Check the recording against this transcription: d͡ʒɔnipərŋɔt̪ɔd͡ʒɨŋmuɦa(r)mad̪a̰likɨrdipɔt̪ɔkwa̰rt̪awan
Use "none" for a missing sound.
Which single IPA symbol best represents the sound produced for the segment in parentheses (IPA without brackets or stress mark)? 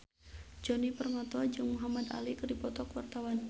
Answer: none